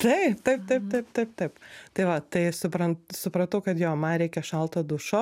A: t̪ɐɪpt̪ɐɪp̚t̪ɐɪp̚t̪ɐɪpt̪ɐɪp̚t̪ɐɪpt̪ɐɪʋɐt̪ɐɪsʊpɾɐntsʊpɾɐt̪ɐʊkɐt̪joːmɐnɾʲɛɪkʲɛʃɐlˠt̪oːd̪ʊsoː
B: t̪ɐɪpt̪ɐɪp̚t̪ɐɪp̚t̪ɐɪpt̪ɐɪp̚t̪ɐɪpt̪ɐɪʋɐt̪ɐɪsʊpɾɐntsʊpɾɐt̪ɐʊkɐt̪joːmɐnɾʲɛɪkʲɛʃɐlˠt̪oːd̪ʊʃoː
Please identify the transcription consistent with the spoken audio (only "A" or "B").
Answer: B